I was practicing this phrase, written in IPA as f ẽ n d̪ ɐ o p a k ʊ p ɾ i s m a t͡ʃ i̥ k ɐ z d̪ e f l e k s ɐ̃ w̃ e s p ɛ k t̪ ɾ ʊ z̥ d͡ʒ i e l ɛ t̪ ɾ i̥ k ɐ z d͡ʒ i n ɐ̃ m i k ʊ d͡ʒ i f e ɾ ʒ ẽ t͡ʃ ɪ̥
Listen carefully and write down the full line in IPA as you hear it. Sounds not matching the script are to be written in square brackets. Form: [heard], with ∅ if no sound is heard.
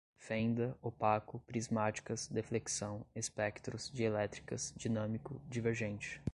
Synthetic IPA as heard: f ẽ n d̪ ɐ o p a k ʊ p ɾ i [z] m a t͡ʃ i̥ k ɐ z d̪ e f l e k s ɐ̃ w̃ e s p ɛ k t̪ ɾ ʊ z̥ d͡ʒ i e l ɛ t̪ ɾ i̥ k ɐ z d͡ʒ i n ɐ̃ m i k ʊ d͡ʒ i [v] e ɾ ʒ ẽ t͡ʃ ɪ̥